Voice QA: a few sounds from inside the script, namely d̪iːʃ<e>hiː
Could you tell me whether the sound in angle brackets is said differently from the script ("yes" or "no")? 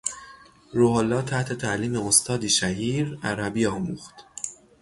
yes